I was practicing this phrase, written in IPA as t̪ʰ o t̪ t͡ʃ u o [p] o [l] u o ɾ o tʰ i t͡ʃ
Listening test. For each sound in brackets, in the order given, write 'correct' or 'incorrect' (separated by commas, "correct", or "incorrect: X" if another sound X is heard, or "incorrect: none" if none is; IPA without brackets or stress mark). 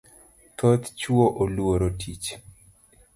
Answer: incorrect: ʔ, correct